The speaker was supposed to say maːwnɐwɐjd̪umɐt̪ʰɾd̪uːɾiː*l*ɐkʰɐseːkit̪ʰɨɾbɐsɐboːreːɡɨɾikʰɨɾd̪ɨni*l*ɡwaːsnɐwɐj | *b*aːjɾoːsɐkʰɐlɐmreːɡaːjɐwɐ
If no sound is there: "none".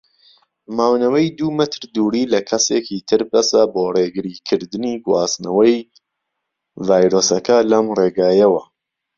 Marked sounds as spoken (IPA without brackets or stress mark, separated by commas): l, none, v